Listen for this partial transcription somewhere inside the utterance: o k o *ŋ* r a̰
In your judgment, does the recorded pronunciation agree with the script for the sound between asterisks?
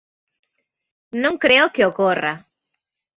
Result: no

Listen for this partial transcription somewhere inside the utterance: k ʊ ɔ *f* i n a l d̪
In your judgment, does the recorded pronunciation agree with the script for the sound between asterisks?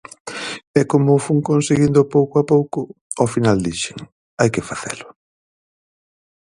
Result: yes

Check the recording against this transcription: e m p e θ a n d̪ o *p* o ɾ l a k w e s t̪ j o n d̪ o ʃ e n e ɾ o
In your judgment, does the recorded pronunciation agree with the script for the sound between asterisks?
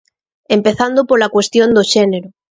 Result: yes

